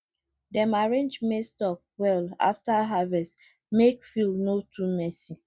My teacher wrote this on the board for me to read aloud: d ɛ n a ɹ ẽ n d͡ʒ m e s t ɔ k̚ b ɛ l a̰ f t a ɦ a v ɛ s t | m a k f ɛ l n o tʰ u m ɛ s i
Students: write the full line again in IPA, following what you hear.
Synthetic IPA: d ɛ m a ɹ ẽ n d͡ʒ m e s t ɔ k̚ w ɛ l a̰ f t a ɦ a v ɛ s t | m e k f i l n o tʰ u m ɛ s i